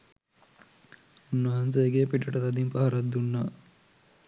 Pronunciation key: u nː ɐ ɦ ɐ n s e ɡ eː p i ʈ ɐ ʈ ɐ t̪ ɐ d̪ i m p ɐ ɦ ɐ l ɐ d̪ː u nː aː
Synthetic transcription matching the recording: u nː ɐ ɦ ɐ n s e ɡ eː p i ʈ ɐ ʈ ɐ t̪ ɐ d̪ i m p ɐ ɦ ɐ ɾ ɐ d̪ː u nː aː